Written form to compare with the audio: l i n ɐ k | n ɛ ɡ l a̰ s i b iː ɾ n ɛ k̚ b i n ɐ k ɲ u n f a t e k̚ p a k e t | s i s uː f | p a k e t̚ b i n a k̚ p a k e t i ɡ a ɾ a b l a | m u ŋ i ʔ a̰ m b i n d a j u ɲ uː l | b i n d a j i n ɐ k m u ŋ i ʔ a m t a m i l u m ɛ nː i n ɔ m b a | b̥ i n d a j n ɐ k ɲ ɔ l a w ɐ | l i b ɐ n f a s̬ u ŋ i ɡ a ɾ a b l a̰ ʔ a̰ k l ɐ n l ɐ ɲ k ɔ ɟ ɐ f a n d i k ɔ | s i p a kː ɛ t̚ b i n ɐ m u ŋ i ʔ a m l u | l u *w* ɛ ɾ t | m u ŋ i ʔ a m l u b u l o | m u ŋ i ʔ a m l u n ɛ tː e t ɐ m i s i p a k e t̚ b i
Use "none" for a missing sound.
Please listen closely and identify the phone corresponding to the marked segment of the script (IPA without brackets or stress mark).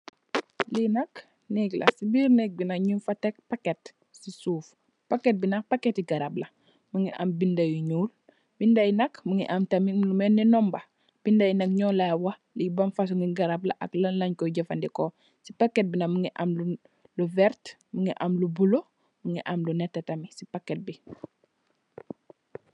v